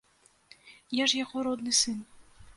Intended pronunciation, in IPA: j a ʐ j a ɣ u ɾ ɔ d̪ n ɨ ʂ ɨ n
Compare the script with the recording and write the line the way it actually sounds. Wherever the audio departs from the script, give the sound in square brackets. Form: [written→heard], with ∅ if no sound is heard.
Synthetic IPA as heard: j a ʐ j a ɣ [u→ɔ] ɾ ɔ d̪ n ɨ [ʂ→s] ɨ n